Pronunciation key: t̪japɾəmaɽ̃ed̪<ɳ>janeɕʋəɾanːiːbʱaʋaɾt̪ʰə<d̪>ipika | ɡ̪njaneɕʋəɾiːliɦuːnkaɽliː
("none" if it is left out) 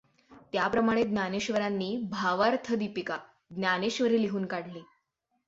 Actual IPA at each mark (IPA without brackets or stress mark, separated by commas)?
n, d̪